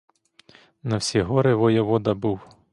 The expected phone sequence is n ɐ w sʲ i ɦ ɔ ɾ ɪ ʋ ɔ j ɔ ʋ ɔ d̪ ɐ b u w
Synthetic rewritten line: n ɐ w sʲ i ɦ ɔ ɾ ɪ ʋ ɔ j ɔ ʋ ɔ d̪ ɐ b u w